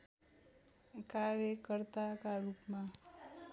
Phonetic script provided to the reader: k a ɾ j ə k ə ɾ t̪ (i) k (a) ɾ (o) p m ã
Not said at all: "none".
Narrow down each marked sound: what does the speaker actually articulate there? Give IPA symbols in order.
a, a, u

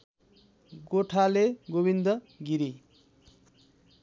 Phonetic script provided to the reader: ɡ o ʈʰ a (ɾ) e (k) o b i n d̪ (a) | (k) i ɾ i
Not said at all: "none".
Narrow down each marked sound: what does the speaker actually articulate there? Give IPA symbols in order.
l, ɡ, ʌ, ɡ

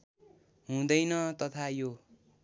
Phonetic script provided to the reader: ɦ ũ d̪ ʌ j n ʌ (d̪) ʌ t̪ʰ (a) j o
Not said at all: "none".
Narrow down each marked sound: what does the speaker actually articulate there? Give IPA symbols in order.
t̪, a

